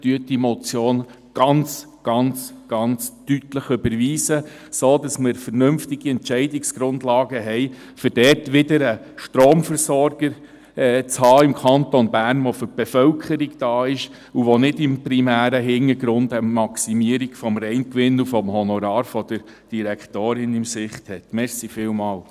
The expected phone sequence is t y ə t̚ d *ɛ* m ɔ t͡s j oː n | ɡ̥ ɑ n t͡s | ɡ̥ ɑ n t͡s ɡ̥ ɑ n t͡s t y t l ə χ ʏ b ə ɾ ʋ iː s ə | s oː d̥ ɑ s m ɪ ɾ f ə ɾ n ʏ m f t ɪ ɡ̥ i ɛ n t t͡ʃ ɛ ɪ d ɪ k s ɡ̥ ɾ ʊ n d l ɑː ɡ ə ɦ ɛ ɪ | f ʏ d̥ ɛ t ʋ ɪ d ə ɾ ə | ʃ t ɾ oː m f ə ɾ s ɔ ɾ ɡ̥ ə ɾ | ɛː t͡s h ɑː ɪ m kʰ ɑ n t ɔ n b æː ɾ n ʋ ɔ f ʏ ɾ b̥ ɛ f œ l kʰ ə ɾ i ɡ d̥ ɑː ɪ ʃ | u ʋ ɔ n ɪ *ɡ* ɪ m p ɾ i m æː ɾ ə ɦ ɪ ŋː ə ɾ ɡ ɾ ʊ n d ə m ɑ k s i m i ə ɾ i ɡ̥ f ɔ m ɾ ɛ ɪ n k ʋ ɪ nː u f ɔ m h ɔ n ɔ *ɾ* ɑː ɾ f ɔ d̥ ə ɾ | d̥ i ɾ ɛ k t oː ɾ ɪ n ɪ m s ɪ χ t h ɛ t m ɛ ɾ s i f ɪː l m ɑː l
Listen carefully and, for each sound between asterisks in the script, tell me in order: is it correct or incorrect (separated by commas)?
incorrect, incorrect, correct